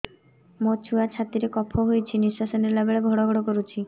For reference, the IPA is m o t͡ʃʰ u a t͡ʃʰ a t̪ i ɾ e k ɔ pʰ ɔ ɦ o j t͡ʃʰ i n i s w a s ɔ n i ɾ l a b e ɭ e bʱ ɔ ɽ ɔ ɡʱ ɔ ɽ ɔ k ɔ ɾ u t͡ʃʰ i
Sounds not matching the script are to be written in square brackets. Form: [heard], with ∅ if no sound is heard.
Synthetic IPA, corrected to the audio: m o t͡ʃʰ u a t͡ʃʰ a t̪ i ɾ e k ɔ pʰ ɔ ɦ o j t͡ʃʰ i n i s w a s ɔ n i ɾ l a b e ɭ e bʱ ɔ ɽ ɔ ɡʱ ɔ ɽ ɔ k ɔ ɾ u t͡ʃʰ i